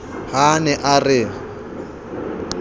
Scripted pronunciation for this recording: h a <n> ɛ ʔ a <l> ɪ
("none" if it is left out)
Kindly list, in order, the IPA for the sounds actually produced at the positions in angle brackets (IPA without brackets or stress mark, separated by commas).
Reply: n, r